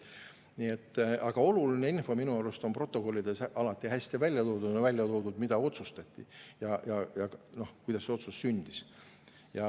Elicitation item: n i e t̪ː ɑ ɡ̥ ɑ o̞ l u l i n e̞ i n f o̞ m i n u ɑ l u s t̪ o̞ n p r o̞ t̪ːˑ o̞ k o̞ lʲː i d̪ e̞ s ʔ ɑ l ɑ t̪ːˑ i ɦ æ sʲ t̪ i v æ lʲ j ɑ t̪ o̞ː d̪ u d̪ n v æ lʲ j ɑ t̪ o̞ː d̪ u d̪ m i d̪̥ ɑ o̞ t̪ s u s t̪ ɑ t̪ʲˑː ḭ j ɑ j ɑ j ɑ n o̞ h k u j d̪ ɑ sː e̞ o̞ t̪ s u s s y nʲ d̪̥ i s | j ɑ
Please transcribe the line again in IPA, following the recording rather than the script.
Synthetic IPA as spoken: n i e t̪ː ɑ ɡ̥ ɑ o̞ l u l i n e̞ i n f o̞ m i n u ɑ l u s t̪ o̞ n p r o̞ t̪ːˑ o̞ k o̞ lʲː i d̪ e̞ s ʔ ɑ l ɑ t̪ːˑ i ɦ æ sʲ t̪ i v æ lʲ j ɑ t̪ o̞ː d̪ u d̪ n v æ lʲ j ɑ t̪ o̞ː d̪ u d̪ m i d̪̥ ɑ o̞ t̪ s u s t̪ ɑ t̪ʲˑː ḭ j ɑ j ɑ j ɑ n o̞ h k u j d̪ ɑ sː e̞ o̞ t̪ s u s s y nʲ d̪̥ i s | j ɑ